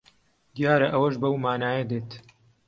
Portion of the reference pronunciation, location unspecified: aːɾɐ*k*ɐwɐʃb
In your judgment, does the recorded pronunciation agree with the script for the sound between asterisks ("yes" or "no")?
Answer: no